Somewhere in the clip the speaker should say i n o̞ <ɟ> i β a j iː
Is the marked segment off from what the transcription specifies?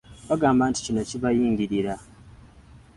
yes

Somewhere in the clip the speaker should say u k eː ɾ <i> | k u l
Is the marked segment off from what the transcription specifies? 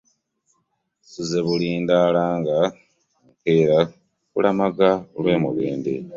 yes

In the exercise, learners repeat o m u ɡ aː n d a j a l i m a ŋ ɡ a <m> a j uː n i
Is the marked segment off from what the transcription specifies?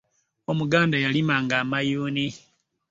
no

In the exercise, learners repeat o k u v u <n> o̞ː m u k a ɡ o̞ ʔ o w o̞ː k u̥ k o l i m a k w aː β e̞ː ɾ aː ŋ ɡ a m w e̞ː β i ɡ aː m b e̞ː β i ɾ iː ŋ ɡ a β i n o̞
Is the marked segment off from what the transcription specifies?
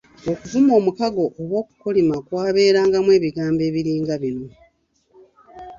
yes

